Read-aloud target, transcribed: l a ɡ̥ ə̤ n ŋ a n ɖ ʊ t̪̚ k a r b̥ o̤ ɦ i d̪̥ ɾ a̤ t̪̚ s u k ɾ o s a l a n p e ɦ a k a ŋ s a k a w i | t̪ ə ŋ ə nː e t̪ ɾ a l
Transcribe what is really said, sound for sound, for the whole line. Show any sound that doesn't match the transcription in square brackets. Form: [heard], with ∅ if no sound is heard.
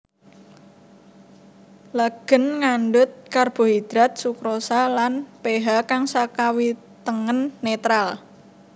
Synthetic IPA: l a ɡ̥ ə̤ n ŋ a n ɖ ʊ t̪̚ k a r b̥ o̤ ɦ i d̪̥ ɾ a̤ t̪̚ s u k ɾ o s a l a n p e ɦ a k a ŋ s a k a w i | t̪ ə ŋ ə nː e t̪ ɾ a l